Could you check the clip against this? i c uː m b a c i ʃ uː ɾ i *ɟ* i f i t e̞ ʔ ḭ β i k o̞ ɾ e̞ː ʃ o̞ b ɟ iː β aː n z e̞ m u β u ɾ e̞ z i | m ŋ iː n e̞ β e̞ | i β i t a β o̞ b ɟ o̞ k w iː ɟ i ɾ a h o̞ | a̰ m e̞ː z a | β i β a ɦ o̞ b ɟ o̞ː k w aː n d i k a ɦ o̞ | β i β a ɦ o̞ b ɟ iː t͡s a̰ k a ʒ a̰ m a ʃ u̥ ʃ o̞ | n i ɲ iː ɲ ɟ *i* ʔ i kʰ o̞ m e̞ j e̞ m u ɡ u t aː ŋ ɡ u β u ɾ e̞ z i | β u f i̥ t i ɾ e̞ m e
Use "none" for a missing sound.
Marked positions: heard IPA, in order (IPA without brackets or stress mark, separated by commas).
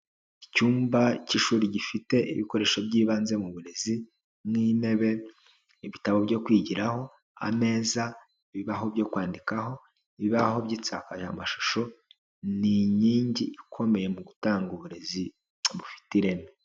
ɟ, i